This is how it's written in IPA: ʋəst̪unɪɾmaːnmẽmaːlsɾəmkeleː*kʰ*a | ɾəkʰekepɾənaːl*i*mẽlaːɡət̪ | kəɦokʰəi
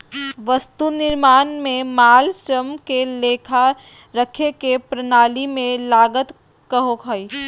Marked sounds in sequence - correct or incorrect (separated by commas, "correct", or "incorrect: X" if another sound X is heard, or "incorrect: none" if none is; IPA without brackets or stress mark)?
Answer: correct, correct